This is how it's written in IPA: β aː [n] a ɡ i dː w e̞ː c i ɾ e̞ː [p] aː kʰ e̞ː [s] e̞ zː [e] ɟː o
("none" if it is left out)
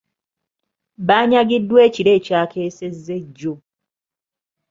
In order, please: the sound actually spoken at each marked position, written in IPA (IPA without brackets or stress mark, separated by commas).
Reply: ɲ, c, s, e